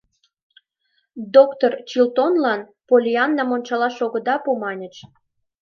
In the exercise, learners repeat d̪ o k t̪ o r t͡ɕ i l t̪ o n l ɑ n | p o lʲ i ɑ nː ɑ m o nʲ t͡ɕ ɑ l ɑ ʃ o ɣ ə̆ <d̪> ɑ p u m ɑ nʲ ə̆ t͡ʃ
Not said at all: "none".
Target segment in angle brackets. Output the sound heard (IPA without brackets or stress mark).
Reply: d̪